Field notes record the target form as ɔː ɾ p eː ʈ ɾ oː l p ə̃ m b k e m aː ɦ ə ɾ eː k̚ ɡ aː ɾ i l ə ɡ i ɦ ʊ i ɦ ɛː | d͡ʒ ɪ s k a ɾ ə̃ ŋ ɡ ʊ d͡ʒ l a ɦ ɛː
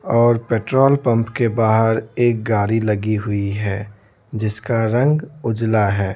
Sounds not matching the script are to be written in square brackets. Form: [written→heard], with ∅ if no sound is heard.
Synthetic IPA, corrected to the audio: ɔː ɾ p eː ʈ ɾ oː l p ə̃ m [b→p] k e [m→b] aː ɦ ə ɾ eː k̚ ɡ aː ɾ i l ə ɡ i ɦ ʊ i ɦ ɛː | d͡ʒ ɪ s k a ɾ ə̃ ŋ ɡ ʊ d͡ʒ l a ɦ ɛː